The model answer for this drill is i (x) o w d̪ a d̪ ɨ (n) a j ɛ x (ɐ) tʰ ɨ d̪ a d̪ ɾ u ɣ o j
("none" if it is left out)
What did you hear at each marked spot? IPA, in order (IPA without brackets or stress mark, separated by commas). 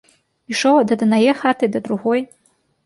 ʂ, n, a